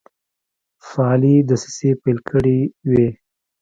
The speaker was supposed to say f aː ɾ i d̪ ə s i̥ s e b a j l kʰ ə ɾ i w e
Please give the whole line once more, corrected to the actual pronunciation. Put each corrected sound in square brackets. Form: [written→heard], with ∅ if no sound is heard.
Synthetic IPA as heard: f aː [ɾ→l] i d̪ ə s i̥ s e [b→p] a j l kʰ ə [ɾ→ɽ] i w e